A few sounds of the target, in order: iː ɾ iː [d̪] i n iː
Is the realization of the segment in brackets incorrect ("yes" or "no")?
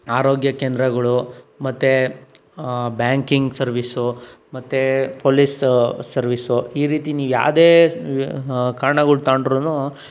yes